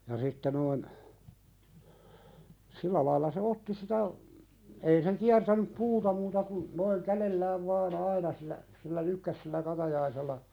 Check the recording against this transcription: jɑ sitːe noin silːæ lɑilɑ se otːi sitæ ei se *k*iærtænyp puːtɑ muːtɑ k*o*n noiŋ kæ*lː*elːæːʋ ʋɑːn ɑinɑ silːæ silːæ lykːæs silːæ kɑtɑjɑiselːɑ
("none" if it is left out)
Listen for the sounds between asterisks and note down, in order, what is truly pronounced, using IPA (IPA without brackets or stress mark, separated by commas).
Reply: k, u, l